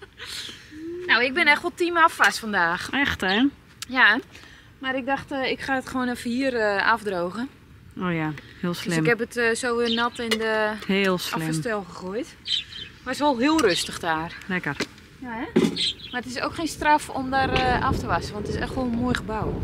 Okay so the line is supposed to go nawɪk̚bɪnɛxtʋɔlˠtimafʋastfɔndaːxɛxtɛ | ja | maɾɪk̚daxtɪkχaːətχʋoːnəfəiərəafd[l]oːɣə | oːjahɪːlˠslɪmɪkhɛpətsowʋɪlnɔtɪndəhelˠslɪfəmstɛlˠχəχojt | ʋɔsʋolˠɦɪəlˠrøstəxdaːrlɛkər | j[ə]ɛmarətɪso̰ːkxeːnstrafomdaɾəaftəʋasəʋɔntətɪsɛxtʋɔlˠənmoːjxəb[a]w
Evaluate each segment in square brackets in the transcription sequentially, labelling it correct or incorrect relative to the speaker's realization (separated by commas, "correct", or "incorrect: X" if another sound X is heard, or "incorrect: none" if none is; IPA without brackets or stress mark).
incorrect: r, incorrect: a, correct